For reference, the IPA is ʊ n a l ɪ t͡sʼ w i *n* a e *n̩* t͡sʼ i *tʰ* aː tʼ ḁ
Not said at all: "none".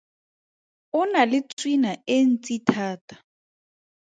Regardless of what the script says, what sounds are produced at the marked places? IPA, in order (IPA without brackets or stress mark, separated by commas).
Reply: n, n̩, tʰ